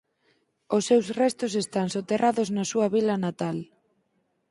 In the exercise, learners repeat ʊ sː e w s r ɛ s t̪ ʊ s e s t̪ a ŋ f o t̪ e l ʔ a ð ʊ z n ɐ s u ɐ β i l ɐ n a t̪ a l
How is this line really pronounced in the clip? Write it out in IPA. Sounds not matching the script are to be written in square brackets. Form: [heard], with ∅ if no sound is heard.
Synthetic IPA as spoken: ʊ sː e w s r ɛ s t̪ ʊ s e s t̪ a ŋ [s] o t̪ e [r] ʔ a ð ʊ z n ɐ s u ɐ β i l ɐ n a t̪ a l